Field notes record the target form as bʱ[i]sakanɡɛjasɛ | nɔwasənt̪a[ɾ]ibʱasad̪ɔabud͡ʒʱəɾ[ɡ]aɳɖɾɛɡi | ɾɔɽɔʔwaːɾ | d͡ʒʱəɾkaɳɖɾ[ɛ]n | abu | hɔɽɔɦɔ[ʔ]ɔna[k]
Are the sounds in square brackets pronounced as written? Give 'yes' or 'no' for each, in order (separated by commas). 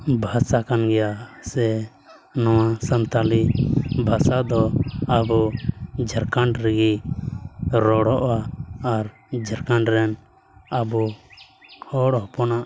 no, no, no, yes, no, no